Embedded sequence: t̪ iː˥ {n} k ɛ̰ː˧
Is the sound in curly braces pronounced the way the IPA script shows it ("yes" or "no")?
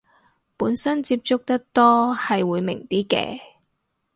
no